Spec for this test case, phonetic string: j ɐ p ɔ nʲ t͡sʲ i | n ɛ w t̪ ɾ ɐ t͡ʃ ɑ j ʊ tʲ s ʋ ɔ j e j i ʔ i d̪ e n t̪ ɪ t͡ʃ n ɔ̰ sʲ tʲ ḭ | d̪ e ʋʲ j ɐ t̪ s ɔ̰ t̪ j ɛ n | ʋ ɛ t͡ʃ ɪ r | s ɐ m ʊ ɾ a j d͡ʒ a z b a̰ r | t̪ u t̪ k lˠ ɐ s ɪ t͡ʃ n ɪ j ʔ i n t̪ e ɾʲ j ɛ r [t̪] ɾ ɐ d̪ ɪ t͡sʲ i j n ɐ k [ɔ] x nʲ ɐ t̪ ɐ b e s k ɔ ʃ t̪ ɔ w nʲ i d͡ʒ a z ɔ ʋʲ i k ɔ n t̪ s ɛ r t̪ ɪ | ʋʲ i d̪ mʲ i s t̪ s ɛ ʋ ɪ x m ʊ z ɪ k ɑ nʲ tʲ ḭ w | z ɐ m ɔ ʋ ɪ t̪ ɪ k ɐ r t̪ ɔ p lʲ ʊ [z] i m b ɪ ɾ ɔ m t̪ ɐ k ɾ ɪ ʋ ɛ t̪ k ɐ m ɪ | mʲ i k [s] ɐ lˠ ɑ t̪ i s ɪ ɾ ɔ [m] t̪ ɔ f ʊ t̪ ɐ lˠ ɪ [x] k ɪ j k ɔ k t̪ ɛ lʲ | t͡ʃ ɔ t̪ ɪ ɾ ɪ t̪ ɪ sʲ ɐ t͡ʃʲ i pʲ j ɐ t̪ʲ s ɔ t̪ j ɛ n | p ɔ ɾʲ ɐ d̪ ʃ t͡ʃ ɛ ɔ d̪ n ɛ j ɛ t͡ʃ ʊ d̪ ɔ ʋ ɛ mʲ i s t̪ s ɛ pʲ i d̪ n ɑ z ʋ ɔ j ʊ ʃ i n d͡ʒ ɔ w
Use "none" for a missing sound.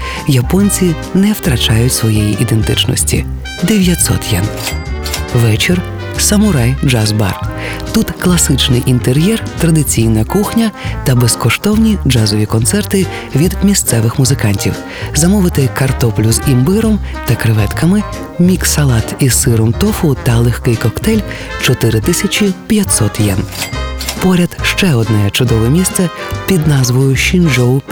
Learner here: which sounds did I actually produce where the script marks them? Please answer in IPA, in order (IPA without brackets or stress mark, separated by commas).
t̪, u, z, s, m, x